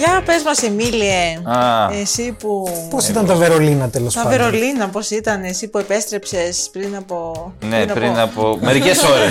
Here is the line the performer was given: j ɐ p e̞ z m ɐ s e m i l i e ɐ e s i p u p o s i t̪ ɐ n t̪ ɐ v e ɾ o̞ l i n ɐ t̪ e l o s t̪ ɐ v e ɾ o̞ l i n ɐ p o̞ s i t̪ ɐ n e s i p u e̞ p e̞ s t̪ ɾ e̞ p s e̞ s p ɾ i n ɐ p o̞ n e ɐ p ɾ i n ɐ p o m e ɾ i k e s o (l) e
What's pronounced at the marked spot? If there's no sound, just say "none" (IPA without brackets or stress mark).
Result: ɾ